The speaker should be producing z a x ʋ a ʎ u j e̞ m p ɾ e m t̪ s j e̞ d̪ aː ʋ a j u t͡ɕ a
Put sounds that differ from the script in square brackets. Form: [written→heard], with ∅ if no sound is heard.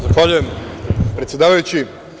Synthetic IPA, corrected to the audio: z a x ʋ a ʎ u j e̞ m p ɾ e [m→∅] t̪ s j e̞ d̪ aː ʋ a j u t͡ɕ [a→i]